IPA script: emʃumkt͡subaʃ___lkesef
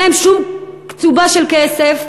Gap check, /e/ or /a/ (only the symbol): e